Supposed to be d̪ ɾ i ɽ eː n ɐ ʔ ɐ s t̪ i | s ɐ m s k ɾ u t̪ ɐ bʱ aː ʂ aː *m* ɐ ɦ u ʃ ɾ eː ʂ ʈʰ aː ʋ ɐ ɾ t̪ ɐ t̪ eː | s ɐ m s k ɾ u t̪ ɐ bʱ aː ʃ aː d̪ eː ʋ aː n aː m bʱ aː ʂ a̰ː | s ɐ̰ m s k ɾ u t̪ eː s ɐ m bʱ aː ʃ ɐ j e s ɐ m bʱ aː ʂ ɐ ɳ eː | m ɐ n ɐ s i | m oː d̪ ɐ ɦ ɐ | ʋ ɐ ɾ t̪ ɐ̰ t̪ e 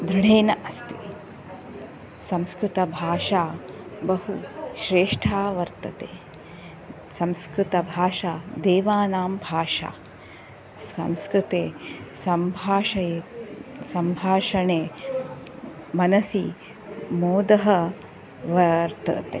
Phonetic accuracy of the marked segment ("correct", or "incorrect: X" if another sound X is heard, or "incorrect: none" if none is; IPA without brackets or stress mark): incorrect: b